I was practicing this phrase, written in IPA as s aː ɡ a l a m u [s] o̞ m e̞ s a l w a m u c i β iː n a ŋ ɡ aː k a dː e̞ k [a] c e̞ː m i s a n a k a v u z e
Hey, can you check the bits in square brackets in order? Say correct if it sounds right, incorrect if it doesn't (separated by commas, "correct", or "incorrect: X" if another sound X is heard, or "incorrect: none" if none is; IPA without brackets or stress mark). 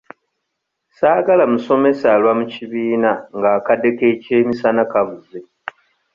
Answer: correct, incorrect: e